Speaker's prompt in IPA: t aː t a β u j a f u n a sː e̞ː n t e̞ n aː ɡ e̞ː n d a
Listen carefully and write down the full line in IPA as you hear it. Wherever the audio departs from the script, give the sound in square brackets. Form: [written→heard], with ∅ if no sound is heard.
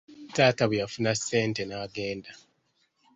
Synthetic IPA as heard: t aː t a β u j a f u n a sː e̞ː n t e̞ n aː ɡ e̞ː n d a